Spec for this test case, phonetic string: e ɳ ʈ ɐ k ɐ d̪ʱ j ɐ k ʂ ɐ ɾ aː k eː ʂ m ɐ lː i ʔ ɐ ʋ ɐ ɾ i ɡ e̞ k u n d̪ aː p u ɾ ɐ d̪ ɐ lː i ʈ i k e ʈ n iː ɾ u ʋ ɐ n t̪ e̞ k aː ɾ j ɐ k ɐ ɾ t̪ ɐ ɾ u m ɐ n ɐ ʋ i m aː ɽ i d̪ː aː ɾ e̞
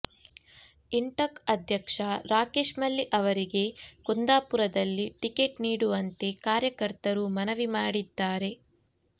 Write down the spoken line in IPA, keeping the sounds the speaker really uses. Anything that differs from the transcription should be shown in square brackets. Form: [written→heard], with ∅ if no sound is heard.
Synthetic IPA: [e→i] ɳ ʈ ɐ k ɐ d̪ʱ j ɐ k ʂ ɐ ɾ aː k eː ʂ m ɐ lː i ʔ ɐ ʋ ɐ ɾ i ɡ e̞ k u n d̪ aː p u ɾ ɐ d̪ ɐ lː i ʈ i k e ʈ n iː [ɾ→ɽ] u ʋ ɐ n t̪ e̞ k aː ɾ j ɐ k ɐ ɾ t̪ ɐ ɾ u m ɐ n ɐ ʋ i m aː ɽ i d̪ː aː ɾ e̞

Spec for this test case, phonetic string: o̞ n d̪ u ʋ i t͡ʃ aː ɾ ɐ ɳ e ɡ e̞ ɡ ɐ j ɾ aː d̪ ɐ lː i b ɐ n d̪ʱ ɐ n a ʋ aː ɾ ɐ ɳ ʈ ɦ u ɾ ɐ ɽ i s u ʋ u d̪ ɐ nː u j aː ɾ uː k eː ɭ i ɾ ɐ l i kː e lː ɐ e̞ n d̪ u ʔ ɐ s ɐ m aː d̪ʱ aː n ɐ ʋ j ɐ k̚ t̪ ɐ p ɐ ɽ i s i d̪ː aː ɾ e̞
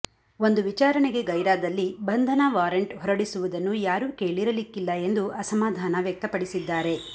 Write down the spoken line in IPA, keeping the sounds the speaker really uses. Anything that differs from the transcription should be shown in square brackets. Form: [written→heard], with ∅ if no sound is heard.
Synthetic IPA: o̞ n d̪ u ʋ i t͡ʃ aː ɾ ɐ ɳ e ɡ e̞ ɡ ɐ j ɾ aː d̪ ɐ lː i b ɐ n d̪ʱ ɐ n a ʋ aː ɾ ɐ ɳ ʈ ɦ [u→ɔ] ɾ ɐ ɽ i s u ʋ u d̪ ɐ nː u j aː ɾ uː k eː ɭ i ɾ ɐ l i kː [e→i] lː ɐ e̞ n d̪ u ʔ ɐ s ɐ m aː d̪ʱ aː n ɐ ʋ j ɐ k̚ t̪ ɐ p ɐ ɽ i s i d̪ː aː ɾ e̞

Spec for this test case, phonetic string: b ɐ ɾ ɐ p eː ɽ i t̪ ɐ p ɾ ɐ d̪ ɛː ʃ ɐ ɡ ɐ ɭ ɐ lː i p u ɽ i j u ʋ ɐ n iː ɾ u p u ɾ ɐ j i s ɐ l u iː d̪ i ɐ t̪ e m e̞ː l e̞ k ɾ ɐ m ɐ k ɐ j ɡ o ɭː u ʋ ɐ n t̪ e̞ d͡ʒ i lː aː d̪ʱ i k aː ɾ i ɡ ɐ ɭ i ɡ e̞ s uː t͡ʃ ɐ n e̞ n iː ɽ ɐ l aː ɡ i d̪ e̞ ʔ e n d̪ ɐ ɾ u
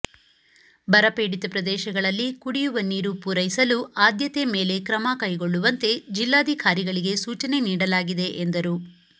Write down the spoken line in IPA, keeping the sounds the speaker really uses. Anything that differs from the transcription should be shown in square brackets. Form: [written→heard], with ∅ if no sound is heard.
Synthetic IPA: b ɐ ɾ ɐ p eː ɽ i t̪ ɐ p ɾ ɐ d̪ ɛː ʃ ɐ ɡ ɐ ɭ ɐ lː i [p→k] u ɽ i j u ʋ ɐ n iː ɾ u p u ɾ ɐ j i s ɐ l u [iː→aː] d̪ [i→j] ɐ t̪ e m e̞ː l e̞ k ɾ ɐ m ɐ k ɐ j ɡ o ɭː u ʋ ɐ n t̪ e̞ d͡ʒ i lː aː d̪ʱ i k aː ɾ i ɡ ɐ ɭ i ɡ e̞ s uː t͡ʃ ɐ n e̞ n iː ɽ ɐ l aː ɡ i d̪ e̞ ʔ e n d̪ ɐ ɾ u

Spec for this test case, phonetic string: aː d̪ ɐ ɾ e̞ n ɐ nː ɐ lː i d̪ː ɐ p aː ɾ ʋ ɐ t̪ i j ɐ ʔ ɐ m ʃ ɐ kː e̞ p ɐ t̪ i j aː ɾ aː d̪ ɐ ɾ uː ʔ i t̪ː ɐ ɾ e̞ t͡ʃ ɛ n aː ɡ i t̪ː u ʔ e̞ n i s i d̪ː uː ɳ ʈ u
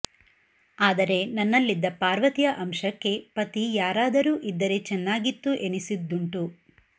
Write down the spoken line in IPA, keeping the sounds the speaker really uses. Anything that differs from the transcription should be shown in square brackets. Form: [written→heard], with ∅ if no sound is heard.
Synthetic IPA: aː d̪ ɐ ɾ e̞ n ɐ nː ɐ lː i d̪ː ɐ p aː ɾ ʋ ɐ t̪ i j ɐ ʔ ɐ m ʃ ɐ kː e̞ p ɐ t̪ i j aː ɾ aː d̪ ɐ ɾ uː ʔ i [t̪ː→d̪ː] ɐ ɾ e̞ t͡ʃ ɛ [n→nː] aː ɡ i t̪ː u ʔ e̞ n i s i d̪ː [uː→u] ɳ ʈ u

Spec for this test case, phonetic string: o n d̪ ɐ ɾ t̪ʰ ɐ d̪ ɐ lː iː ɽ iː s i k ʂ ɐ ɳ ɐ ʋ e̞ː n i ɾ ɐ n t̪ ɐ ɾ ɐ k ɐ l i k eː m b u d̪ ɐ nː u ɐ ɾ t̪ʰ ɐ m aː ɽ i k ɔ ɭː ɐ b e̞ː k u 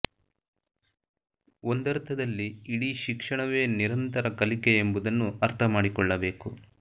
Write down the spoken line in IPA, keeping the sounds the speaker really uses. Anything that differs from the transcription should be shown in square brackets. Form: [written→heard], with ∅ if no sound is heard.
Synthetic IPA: o n d̪ ɐ ɾ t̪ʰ ɐ d̪ ɐ lː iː ɽ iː [s→ʃ] i k ʂ ɐ ɳ ɐ ʋ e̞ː n i ɾ ɐ n t̪ ɐ ɾ ɐ k ɐ l i k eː m b u d̪ ɐ nː u ɐ ɾ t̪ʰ ɐ m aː ɽ i k ɔ ɭː ɐ b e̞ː k u

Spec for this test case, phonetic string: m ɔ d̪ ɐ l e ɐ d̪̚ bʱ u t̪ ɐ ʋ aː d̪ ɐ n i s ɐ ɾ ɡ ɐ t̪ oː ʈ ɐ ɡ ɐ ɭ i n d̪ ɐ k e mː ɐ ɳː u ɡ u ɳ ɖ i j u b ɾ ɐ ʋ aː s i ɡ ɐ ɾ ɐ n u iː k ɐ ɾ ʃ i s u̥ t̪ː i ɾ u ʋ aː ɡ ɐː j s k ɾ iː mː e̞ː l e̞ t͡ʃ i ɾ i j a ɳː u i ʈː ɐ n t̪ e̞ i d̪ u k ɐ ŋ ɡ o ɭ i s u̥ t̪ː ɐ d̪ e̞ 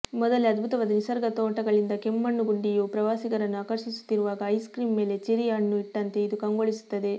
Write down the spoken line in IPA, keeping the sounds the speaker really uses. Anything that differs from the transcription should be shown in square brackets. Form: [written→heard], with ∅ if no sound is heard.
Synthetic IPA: m ɔ d̪ ɐ l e ɐ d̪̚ bʱ u t̪ ɐ ʋ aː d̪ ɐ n i s ɐ ɾ ɡ ɐ t̪ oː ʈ ɐ ɡ ɐ ɭ i n d̪ ɐ k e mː ɐ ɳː u ɡ u ɳ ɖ i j u [b→p] ɾ ɐ ʋ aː s i ɡ ɐ ɾ ɐ [n→nː] u [iː→aː] k ɐ ɾ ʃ i s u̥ t̪ː i ɾ u ʋ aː ɡ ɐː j s k ɾ iː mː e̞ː l e̞ t͡ʃ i ɾ i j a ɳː u i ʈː ɐ n t̪ e̞ i d̪ u k ɐ ŋ ɡ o ɭ i s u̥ t̪ː ɐ d̪ e̞

